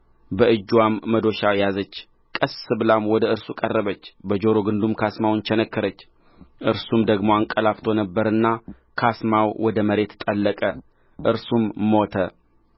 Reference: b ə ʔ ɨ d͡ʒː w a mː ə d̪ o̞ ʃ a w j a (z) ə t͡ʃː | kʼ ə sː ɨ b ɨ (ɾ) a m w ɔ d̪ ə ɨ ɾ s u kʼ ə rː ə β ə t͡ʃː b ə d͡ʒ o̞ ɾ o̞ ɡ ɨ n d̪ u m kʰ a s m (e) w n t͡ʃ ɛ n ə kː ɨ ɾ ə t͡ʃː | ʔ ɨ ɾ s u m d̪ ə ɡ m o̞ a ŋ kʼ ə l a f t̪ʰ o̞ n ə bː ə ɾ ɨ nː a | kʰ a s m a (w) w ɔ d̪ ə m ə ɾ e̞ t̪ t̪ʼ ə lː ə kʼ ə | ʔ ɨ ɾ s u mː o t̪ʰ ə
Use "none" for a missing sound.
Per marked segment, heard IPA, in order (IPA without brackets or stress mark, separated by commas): z, l, a, w